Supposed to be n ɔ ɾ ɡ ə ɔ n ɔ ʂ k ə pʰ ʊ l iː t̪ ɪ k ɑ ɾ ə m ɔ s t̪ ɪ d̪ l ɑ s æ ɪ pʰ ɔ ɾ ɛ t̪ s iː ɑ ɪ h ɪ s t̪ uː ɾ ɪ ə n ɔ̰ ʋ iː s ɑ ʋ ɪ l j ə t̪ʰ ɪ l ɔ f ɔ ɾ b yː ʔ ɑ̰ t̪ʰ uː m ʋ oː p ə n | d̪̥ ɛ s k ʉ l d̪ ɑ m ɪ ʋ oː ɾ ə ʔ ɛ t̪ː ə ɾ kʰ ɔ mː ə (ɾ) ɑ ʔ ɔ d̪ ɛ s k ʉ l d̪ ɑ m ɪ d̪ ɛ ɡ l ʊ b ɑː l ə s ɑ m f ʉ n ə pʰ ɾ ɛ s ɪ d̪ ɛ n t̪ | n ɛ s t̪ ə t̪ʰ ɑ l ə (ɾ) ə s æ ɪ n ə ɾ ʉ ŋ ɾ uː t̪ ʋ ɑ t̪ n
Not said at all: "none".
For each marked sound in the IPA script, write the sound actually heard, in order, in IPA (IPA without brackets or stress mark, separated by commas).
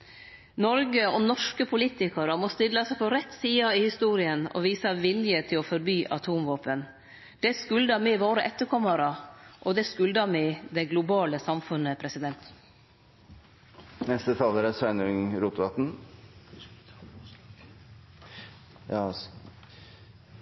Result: ɾ, ɾ